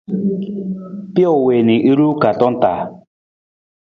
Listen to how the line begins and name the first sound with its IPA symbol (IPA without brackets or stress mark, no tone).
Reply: p